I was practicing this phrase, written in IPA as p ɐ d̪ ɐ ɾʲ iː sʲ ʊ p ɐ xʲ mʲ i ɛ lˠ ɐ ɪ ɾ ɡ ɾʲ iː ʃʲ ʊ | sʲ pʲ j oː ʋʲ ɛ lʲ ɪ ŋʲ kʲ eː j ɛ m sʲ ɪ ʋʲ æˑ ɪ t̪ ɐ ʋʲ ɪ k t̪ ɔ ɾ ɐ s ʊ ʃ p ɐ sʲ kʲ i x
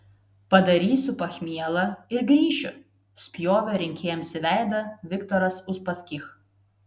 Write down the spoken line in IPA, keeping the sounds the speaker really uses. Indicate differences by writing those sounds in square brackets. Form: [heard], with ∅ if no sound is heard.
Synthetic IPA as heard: p ɐ d̪ ɐ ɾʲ iː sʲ ʊ p ɐ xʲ mʲ i ɛ lˠ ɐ ɪ ɾ ɡ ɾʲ iː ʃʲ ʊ | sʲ pʲ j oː ʋʲ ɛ [ɾʲ] ɪ ŋʲ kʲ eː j ɛ m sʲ ɪ ʋʲ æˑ ɪ [d̪] ɐ ʋʲ ɪ k t̪ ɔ ɾ ɐ s ʊ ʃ p ɐ sʲ kʲ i x